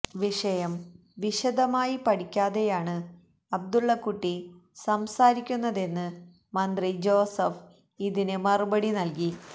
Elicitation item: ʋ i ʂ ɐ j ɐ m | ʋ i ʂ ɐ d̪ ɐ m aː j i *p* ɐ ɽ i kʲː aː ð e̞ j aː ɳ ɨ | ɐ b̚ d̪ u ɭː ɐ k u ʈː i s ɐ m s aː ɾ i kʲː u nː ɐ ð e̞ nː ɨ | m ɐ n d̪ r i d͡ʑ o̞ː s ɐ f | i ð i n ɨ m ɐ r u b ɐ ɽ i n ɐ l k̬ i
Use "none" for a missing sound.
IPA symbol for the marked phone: p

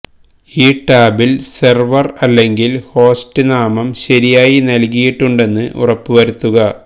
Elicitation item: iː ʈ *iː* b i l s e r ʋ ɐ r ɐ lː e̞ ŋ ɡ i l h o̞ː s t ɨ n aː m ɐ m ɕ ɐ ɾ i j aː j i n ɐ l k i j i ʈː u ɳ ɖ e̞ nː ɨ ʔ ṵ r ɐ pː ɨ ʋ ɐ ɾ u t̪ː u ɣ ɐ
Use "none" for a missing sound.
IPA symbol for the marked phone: aː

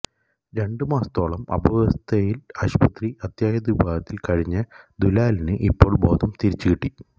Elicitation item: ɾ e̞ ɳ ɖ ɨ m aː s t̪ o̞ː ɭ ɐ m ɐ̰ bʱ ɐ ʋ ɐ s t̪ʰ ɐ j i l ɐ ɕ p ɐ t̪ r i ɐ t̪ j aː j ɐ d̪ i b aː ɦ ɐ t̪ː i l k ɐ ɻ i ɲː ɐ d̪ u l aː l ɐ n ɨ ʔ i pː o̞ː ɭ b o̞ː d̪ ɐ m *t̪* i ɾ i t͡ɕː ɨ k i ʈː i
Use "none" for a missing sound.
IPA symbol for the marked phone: t̪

